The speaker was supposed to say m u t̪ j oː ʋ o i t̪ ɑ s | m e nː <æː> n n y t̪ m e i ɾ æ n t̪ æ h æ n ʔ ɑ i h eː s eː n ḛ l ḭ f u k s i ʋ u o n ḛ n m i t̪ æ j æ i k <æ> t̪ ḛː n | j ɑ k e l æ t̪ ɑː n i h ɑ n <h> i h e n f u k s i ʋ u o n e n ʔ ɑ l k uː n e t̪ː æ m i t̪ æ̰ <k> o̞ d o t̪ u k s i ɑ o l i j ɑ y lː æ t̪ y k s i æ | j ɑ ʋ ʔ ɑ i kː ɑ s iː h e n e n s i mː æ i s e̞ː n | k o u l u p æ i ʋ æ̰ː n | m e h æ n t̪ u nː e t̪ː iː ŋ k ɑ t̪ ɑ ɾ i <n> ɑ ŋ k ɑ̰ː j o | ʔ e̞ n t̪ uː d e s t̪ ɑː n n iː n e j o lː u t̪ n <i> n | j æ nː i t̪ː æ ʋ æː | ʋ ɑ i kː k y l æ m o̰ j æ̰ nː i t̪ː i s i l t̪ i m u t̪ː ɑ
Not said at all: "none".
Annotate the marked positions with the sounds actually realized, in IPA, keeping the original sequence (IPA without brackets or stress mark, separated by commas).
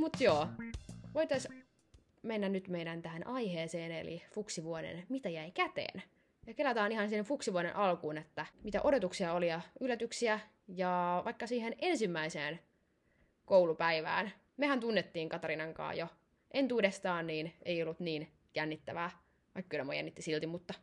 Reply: æ, æ, s, ʔ, n, iː